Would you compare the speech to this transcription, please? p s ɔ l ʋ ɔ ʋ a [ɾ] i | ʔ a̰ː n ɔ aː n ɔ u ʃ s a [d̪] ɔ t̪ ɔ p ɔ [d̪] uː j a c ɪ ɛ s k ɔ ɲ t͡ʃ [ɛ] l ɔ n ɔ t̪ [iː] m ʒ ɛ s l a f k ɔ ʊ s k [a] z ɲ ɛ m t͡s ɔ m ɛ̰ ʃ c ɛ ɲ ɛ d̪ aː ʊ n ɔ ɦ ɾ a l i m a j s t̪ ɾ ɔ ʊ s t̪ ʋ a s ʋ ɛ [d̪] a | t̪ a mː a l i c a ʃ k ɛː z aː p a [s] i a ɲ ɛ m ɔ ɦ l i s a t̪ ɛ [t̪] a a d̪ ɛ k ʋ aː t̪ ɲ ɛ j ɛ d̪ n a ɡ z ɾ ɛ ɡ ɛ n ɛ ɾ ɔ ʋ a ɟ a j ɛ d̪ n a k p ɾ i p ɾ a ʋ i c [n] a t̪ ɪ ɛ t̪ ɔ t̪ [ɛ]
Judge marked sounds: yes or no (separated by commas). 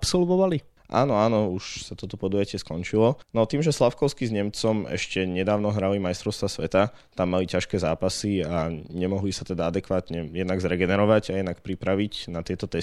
no, no, yes, no, yes, no, no, yes, no, yes, yes